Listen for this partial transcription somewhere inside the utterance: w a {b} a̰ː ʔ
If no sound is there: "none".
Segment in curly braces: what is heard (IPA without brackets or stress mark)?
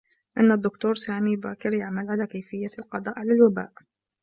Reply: b